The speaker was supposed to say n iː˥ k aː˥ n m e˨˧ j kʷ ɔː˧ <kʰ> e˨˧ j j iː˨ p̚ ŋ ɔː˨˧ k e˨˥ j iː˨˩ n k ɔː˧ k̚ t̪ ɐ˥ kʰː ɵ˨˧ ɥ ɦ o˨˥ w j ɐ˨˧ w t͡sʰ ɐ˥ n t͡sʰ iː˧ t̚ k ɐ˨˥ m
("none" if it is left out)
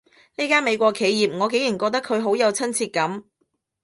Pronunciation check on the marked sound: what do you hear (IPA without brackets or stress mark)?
kʰ